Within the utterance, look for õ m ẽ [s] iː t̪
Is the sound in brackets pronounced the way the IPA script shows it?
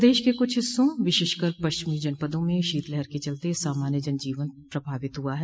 no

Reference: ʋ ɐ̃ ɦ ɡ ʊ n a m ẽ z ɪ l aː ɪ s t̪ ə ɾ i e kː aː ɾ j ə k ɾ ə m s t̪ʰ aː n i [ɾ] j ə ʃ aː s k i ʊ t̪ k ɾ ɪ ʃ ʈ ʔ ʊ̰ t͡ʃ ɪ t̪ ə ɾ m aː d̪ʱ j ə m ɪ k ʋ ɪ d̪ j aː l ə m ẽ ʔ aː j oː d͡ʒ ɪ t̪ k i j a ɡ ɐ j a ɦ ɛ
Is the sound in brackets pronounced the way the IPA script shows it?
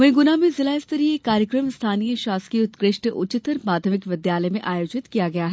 no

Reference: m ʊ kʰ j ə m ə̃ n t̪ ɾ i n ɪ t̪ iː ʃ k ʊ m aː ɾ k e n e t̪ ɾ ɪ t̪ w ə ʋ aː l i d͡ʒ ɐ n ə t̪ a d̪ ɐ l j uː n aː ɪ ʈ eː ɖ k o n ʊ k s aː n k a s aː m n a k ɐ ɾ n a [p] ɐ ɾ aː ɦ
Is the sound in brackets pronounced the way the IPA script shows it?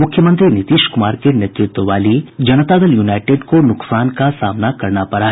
yes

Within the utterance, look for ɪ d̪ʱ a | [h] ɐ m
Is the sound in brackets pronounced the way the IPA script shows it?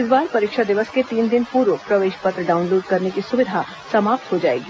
no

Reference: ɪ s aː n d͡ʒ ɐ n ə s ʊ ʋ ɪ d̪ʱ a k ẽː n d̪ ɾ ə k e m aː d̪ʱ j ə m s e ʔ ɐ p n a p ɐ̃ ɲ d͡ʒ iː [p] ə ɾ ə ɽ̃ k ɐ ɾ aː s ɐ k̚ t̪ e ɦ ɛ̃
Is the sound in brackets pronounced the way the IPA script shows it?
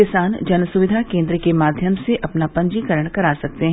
no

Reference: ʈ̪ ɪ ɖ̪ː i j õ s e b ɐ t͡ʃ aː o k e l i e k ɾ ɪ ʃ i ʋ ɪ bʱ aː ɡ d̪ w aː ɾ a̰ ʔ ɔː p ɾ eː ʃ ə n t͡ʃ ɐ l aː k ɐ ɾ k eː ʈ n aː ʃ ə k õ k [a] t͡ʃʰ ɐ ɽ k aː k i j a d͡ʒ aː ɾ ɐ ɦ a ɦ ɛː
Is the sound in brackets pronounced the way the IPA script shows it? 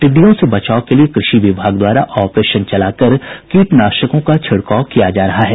yes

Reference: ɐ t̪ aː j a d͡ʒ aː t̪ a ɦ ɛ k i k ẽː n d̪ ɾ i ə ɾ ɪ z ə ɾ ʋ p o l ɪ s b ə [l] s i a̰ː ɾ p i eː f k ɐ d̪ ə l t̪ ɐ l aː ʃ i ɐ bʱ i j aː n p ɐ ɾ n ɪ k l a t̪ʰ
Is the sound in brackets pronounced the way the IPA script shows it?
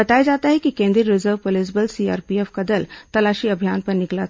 yes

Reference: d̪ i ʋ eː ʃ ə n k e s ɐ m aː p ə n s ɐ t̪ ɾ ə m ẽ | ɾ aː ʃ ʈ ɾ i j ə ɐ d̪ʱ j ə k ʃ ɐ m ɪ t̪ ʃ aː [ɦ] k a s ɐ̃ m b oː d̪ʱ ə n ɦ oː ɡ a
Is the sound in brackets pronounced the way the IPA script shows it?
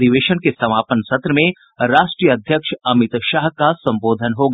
yes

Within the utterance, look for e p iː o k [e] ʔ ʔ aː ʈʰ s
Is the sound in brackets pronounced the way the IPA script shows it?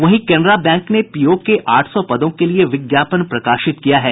yes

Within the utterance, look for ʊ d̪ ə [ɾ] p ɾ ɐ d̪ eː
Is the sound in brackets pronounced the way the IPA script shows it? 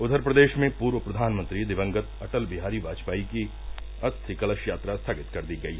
yes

